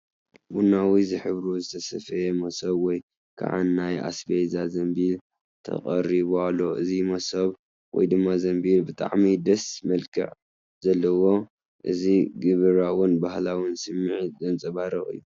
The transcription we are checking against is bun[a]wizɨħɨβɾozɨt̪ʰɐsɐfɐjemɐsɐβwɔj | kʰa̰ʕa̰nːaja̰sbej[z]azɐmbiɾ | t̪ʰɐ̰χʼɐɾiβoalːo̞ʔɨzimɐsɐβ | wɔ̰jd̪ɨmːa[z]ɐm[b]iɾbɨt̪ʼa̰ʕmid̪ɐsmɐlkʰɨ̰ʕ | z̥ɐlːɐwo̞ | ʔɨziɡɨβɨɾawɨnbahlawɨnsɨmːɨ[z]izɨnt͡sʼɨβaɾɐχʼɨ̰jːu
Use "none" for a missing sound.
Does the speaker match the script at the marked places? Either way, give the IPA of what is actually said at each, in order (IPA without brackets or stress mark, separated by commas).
a, z, z, b, ʕ